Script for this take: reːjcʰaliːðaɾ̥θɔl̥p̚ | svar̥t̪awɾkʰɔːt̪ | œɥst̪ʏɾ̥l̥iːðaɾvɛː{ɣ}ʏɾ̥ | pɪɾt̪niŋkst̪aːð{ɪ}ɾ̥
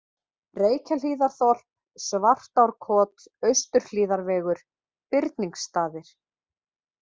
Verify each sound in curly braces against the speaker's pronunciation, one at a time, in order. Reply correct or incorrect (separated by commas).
correct, correct